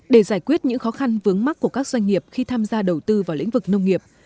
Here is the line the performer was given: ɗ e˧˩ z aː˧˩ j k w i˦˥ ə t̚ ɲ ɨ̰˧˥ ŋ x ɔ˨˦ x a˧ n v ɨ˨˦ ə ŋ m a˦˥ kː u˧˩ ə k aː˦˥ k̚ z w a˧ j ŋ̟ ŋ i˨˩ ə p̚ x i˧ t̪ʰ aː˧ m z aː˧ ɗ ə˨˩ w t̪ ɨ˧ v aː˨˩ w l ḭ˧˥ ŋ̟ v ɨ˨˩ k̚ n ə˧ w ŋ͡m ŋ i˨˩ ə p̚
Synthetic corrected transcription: ɗ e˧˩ z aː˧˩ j k w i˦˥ ə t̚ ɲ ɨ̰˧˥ ŋ x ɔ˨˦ x a˧ n v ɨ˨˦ ə ŋ m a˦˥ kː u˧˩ ə k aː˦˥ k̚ z w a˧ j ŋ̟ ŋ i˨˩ ə p̚ x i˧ t̪ʰ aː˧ m z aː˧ ɗ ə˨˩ w t̪ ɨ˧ v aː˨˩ w l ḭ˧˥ ŋ̟ v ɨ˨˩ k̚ n ə˧ w ŋ͡m ŋ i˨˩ ə p̚